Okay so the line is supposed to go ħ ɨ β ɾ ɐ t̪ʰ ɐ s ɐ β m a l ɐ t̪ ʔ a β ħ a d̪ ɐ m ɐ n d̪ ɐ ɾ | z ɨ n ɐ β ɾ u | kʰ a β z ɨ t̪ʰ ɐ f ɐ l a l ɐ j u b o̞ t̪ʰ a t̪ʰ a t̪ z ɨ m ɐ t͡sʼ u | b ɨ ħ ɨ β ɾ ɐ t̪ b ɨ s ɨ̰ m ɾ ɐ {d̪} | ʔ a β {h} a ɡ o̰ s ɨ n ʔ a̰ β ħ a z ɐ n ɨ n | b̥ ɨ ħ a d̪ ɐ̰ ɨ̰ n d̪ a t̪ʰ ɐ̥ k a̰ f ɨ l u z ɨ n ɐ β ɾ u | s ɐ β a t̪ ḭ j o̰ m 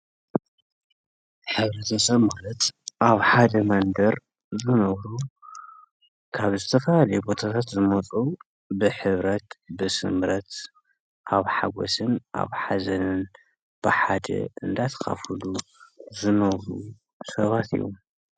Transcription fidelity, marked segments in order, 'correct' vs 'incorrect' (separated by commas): incorrect, incorrect